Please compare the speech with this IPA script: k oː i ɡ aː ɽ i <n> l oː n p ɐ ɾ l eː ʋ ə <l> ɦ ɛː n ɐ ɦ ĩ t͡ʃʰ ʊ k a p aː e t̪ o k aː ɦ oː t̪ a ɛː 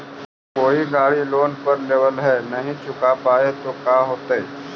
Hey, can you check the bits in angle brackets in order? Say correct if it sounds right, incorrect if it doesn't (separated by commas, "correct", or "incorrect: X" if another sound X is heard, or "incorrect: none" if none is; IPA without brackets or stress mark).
incorrect: none, correct